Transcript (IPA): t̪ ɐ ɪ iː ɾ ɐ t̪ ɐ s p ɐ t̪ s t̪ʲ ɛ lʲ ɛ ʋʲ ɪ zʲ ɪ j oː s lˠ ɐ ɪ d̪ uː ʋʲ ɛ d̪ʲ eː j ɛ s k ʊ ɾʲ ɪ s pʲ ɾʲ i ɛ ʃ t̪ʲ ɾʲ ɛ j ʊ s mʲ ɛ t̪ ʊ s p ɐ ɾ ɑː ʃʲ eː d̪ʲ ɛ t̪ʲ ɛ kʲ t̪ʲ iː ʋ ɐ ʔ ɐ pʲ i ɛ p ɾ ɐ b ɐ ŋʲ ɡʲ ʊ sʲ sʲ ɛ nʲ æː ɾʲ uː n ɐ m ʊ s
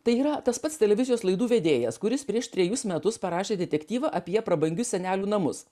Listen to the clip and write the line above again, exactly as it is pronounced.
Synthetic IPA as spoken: t̪ ɐ ɪ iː ɾ ɐ t̪ ɐ s p ɐ t̪ s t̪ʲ ɛ lʲ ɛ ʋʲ ɪ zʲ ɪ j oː s lˠ ɐ ɪ d̪ uː ʋʲ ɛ d̪ʲ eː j ɛ s k ʊ ɾʲ ɪ s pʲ ɾʲ i ɛ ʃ t̪ʲ ɾʲ ɛ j ʊ s mʲ ɛ t̪ ʊ s p ɐ ɾ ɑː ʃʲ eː d̪ʲ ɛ t̪ʲ ɛ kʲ t̪ʲ iː ʋ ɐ ʔ ɐ pʲ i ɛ p ɾ ɐ b ɐ ŋʲ ɡʲ ʊ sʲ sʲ ɛ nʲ æː lʲ uː n ɐ m ʊ s

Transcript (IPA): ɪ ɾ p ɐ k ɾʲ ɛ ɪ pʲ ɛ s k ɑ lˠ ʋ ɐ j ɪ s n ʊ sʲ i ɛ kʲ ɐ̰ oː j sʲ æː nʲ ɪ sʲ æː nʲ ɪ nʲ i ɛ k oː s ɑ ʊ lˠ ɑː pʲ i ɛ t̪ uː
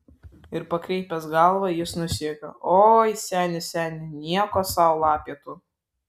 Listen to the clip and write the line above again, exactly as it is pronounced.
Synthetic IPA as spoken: ɪ ɾ p ɐ k ɾʲ ɛ ɪ pʲ ɛ s ɡ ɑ lˠ ʋ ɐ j ɪ s n ʊ sʲ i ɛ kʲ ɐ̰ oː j sʲ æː nʲ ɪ sʲ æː nʲ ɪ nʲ i ɛ k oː s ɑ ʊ lˠ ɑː pʲ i ɛ t̪ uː

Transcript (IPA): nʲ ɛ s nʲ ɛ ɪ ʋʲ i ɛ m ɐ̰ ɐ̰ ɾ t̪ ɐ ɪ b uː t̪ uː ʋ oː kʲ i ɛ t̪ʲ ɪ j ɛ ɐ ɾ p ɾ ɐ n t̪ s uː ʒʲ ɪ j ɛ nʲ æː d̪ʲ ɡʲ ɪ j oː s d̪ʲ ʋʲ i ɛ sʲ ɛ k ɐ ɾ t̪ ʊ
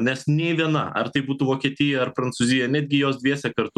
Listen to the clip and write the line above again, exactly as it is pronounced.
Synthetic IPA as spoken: nʲ ɛ s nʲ ɛ ɪ ʋʲ i ɛ n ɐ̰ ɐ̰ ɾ t̪ ɐ ɪ b uː t̪ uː ʋ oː kʲ i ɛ t̪ʲ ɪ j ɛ ɐ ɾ p ɾ ɐ n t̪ s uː zʲ ɪ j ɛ nʲ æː d̪ʲ ɡʲ ɪ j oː s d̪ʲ ʋʲ i ɛ sʲ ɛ k ɐ ɾ t̪ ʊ

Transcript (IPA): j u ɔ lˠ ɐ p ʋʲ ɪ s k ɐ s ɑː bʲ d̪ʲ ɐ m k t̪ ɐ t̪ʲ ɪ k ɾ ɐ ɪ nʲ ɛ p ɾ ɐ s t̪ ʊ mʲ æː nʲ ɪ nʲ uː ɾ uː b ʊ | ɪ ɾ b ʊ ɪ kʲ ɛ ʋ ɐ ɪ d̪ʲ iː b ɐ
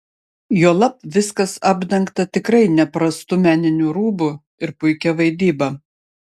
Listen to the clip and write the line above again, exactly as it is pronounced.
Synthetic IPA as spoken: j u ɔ lˠ ɐ p ʋʲ ɪ s k ɐ s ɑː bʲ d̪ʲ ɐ ŋ k t̪ ɐ t̪ʲ ɪ k ɾ ɐ ɪ nʲ ɛ p ɾ ɐ s t̪ ʊ mʲ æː nʲ ɪ nʲ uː ɾ uː b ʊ | ɪ ɾ p ʊ ɪ kʲ ɛ ʋ ɐ ɪ d̪ʲ iː b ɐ

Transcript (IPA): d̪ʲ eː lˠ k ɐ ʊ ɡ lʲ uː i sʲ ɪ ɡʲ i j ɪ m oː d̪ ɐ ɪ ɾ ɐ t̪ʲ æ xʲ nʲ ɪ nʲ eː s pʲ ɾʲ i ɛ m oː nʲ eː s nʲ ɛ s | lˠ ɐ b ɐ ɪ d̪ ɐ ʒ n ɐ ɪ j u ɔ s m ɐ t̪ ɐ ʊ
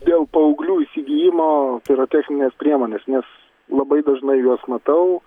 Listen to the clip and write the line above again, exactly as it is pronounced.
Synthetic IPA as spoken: d̪ʲ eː lˠ p ɐ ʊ ɡ lʲ uː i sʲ ɪ ɡʲ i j ɪ m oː t̪ ɐ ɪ ɾ ɐ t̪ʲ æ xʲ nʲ ɪ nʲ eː s pʲ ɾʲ i ɛ m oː nʲ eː s nʲ ɛ s | lˠ ɐ b ɐ ɪ d̪ ɐ ʒ n ɐ ɪ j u ɔ s m ɐ t̪ ɐ ʊ

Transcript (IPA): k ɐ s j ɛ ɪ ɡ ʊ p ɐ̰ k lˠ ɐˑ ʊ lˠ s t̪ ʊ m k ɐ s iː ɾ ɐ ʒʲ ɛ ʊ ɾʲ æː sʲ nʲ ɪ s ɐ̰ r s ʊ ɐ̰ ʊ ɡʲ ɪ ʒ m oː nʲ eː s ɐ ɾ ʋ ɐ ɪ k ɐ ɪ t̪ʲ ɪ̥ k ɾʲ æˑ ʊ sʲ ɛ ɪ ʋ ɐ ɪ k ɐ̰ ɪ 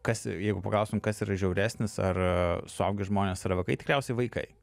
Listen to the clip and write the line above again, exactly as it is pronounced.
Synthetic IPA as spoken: k ɐ s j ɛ ɪ ɡ ʊ p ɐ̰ k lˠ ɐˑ ʊ s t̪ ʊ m k ɐ s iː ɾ ɐ ʒʲ ɛ ʊ ɾʲ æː sʲ nʲ ɪ s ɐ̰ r s ʊ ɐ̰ ʊ ɡʲ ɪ ʒ m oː nʲ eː s ɐ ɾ ʋ ɐ ɪ k ɐ ɪ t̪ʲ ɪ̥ k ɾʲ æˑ ʊ sʲ ɛ ɪ ʋ ɐ ɪ k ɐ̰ ɪ

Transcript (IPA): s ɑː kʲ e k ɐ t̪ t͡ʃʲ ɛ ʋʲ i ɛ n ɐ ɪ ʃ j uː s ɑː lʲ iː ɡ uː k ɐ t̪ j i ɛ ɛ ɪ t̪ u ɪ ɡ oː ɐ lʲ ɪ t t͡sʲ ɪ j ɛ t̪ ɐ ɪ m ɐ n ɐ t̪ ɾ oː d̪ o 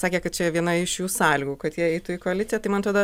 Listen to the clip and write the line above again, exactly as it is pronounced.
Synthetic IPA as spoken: s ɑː kʲ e k ɐ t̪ t͡ʃʲ ɛ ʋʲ i ɛ n ɐ ɪ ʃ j uː s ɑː lʲ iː ɡ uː k ɐ t̪ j i ɛ ɛ ɪ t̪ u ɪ k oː ɐ lʲ ɪ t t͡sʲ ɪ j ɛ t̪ ɐ ɪ m ɐ n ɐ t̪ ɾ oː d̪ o

